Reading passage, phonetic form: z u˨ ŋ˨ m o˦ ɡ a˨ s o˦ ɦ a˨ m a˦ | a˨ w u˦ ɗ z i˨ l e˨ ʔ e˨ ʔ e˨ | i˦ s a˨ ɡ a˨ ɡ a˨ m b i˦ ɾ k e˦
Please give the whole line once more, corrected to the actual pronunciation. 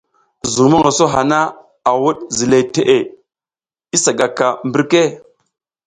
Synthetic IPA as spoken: z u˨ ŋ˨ m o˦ ŋ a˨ s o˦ ɦ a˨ n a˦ | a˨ w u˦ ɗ z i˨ l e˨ t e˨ ʔ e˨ | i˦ s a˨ ɡ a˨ k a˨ m b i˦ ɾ k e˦